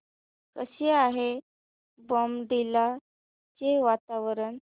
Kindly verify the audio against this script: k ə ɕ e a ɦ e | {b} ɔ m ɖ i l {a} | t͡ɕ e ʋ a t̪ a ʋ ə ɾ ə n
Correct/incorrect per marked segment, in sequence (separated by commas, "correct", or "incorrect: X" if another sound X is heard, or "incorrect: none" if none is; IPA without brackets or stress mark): correct, correct